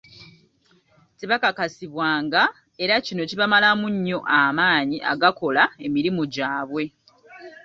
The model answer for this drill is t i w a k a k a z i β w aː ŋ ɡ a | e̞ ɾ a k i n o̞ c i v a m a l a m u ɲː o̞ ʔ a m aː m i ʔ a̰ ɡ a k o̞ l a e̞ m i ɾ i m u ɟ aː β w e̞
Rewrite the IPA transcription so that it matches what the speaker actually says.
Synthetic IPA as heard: t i β a k a k a s i β w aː ŋ ɡ a | e̞ ɾ a c i n o̞ c i β a m a l a m u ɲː o̞ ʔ a m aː ɲ i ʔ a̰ ɡ a k o̞ l a e̞ m i ɾ i m u ɟ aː β w e̞